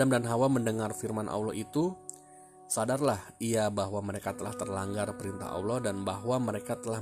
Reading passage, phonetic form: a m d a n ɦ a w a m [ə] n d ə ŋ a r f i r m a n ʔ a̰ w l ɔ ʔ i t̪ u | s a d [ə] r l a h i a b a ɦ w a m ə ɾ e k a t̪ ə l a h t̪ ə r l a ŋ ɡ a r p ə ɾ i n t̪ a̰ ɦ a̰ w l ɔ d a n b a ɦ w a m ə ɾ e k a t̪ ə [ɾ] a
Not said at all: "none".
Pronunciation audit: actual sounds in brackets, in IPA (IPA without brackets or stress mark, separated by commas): ə, a, l